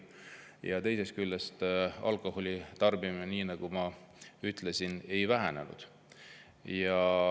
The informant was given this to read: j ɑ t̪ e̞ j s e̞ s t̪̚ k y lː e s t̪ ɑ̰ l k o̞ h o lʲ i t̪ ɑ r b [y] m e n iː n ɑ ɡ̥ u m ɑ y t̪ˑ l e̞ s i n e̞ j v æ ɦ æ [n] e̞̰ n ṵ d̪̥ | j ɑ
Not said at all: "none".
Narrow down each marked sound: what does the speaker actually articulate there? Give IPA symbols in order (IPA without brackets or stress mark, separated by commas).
i, n